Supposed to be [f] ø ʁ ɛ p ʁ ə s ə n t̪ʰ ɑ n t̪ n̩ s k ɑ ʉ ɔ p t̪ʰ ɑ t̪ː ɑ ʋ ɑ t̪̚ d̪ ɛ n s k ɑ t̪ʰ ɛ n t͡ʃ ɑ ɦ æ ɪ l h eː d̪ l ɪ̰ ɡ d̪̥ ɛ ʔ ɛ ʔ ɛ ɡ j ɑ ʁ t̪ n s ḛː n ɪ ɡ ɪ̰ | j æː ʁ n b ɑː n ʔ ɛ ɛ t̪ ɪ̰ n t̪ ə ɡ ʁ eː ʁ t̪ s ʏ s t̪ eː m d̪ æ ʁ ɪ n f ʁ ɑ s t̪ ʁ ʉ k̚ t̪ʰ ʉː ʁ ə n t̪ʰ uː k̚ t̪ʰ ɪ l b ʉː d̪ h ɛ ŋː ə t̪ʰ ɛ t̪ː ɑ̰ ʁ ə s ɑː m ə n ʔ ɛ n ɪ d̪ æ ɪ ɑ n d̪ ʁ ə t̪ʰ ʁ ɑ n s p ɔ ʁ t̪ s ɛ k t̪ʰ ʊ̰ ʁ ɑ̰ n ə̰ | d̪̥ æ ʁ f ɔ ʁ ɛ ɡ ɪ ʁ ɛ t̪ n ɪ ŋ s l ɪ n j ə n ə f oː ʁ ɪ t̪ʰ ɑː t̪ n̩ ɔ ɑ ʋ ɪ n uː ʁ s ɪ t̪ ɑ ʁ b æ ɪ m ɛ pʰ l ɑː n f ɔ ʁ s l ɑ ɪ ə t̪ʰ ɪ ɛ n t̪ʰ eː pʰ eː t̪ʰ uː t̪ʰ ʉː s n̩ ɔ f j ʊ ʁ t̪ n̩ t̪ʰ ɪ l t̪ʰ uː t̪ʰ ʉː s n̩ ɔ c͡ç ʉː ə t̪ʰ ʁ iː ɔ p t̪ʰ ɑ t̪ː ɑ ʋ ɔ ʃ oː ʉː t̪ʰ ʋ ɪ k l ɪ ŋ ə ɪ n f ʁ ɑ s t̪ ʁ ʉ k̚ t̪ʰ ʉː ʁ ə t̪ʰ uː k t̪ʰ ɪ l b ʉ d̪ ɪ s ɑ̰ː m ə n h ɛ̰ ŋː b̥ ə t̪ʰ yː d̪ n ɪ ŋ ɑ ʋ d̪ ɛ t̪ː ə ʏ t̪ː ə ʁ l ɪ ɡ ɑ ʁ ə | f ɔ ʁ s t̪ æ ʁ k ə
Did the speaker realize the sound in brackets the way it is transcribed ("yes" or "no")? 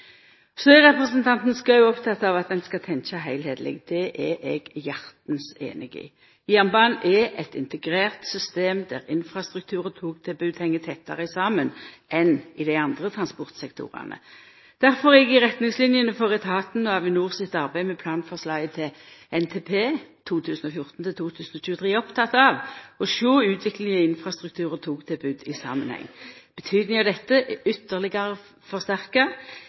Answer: no